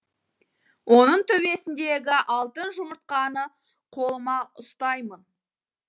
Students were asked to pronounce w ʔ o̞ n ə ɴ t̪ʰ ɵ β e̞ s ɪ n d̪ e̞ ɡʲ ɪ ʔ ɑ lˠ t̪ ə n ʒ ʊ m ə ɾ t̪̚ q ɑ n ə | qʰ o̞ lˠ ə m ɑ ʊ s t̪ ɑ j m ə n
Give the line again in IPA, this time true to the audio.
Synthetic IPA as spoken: w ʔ o̞ n ə ɴ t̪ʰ ɵ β e̞ s ɪ n d̪ e̞ ɡʲ ɪ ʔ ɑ lˠ t̪ ə n ʒ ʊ m ə ɾ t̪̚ q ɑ n ə | qʰ o̞ lˠ ə m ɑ ʊ s t̪ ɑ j m ə n